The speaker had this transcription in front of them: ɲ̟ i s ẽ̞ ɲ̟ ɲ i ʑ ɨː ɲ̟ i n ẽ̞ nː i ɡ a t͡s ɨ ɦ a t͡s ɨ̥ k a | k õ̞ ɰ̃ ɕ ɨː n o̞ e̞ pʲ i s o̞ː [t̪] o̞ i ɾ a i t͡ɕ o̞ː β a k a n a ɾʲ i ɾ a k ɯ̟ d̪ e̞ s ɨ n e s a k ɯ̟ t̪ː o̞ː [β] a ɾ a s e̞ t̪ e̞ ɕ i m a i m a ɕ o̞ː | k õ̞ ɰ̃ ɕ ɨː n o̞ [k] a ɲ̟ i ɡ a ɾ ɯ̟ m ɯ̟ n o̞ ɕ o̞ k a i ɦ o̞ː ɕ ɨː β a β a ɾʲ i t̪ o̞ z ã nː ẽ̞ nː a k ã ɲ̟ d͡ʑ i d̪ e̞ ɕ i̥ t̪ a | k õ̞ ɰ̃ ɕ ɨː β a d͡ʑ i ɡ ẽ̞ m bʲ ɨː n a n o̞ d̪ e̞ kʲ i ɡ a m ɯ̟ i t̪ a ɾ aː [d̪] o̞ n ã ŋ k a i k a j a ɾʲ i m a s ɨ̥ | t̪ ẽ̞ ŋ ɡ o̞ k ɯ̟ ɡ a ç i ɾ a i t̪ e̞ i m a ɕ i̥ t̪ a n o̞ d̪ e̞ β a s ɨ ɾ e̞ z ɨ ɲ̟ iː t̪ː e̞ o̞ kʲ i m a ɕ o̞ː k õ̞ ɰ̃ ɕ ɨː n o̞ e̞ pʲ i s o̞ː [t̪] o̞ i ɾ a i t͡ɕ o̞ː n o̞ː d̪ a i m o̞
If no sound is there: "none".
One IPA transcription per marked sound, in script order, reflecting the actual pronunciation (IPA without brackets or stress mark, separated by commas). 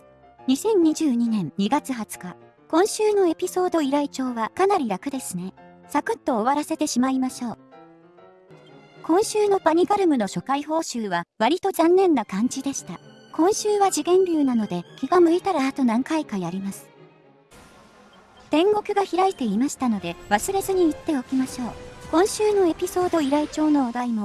d̪, β, p, t̪, d̪